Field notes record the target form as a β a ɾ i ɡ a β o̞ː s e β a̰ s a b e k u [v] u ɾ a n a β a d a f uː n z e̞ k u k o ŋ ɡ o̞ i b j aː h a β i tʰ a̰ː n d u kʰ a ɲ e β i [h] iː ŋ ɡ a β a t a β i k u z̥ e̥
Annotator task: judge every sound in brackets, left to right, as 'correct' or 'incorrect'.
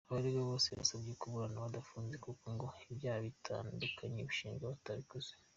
incorrect: β, incorrect: ʃ

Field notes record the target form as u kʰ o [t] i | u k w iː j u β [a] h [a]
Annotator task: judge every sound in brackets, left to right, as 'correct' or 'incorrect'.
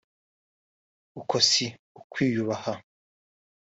incorrect: s, correct, correct

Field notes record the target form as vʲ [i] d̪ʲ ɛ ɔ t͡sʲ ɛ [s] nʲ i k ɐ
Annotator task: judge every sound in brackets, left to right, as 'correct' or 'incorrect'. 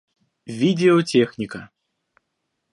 correct, incorrect: x

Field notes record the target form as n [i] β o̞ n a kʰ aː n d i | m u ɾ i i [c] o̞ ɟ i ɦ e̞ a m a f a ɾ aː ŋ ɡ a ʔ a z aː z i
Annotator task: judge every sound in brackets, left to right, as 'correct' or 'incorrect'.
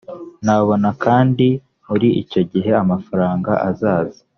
incorrect: a, correct

